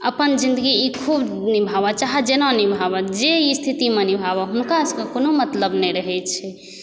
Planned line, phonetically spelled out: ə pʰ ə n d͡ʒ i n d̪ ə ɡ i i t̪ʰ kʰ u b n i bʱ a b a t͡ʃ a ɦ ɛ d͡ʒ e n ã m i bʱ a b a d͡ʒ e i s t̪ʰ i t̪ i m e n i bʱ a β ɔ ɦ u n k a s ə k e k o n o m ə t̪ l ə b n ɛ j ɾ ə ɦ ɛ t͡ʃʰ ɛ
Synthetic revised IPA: ə p ə n d͡ʒ i n d̪ ə ɡ i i kʰ u b n i bʱ a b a t͡ʃ a ɦ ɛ d͡ʒ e n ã n i bʱ a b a d͡ʒ e i s t̪ʰ i t̪ i m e n i bʱ a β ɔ ɦ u n k a s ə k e k o n o m ə t̪ l ə b n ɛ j ɾ ə ɦ ɛ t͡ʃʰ ɛ